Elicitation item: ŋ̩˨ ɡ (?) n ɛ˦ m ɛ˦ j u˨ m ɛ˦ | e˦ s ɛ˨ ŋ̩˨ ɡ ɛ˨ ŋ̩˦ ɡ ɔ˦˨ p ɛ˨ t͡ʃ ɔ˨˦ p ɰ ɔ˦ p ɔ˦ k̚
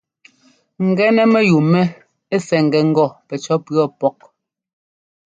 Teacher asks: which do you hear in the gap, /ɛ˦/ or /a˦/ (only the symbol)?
ɛ˦